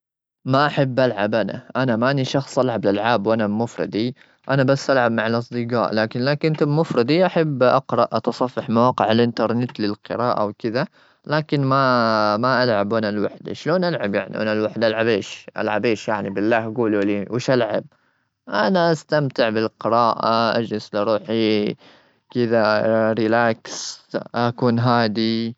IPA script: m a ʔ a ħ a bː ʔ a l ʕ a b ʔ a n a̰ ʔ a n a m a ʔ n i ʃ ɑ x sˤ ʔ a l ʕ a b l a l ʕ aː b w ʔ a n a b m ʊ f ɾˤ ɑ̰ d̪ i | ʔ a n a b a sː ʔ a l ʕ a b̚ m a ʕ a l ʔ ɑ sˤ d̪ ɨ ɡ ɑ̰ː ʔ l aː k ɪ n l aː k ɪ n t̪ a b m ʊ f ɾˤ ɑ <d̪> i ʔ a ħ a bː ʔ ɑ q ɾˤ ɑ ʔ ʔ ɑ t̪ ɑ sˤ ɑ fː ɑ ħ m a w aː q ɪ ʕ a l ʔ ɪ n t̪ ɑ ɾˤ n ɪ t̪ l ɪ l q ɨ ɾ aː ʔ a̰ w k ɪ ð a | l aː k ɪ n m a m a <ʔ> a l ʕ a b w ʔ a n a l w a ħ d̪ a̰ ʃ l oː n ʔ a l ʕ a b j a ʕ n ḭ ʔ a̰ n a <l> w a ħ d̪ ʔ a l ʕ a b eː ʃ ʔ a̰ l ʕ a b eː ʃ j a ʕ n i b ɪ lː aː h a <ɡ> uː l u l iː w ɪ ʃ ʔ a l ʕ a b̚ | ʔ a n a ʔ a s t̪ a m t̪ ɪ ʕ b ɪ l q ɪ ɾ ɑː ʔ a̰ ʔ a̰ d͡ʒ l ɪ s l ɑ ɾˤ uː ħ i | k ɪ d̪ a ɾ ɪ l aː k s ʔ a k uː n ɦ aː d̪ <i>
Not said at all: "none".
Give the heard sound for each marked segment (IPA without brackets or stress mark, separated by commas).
d̪, ʔ, l, ɡ, i